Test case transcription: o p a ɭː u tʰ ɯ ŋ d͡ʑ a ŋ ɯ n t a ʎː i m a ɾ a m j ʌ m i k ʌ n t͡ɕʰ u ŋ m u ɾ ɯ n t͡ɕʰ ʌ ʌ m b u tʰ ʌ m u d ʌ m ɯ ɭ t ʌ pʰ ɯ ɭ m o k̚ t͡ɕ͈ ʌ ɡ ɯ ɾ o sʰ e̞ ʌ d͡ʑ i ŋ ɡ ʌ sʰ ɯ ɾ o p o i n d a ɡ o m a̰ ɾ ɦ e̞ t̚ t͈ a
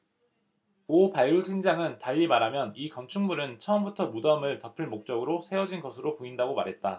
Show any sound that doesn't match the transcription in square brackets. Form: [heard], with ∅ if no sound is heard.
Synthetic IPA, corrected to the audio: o p a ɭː u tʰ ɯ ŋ d͡ʑ a ŋ ɯ n t a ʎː i m a ɾ a m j ʌ [n] i k ʌ n t͡ɕʰ u ŋ m u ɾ ɯ n t͡ɕʰ ʌ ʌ m b u tʰ ʌ m u d ʌ m ɯ ɭ t ʌ pʰ ɯ ɭ m o k̚ t͡ɕ͈ ʌ ɡ ɯ ɾ o sʰ e̞ ʌ d͡ʑ i [n] ɡ ʌ sʰ ɯ ɾ o p o i n d a ɡ o m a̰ ɾ ɦ e̞ t̚ t͈ a